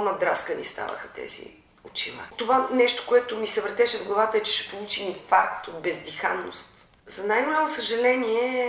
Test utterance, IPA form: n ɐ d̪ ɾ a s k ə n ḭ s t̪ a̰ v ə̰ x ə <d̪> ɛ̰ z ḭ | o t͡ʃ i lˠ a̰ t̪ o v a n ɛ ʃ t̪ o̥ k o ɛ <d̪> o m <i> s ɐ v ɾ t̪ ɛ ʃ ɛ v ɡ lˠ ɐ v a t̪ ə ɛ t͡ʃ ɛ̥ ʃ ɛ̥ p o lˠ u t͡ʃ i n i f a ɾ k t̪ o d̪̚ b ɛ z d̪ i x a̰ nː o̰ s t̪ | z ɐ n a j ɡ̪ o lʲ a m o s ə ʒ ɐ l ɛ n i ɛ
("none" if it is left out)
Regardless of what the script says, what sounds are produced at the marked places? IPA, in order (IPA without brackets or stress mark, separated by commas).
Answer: t̪, t̪, i